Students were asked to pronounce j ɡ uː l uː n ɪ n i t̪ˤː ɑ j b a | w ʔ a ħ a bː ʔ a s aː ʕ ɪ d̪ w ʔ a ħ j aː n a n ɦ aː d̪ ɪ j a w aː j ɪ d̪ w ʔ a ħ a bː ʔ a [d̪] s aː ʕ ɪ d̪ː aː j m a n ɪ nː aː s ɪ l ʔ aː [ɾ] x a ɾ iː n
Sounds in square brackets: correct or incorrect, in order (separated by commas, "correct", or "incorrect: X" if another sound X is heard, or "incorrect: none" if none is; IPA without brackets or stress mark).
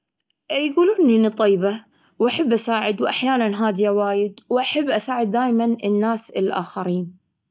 incorrect: none, incorrect: none